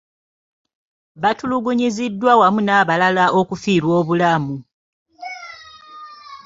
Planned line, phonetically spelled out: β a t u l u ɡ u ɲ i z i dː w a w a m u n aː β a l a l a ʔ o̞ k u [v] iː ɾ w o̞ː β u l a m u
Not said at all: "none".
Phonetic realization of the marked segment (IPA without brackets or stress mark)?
f